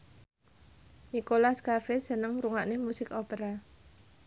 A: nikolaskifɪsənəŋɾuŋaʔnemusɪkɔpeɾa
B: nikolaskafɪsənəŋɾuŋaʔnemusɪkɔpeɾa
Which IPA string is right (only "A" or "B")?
B